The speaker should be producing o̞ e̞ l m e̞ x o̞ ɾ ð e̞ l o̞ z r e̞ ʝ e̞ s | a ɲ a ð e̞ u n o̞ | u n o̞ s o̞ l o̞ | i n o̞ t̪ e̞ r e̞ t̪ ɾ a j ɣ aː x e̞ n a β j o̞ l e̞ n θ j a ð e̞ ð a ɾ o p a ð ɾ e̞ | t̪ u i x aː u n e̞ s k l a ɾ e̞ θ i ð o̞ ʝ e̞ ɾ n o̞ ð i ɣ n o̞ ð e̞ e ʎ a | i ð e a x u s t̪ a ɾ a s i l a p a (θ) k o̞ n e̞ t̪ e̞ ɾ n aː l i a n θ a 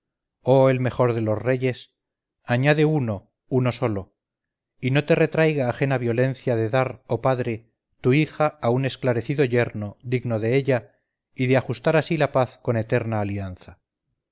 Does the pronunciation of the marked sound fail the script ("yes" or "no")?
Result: no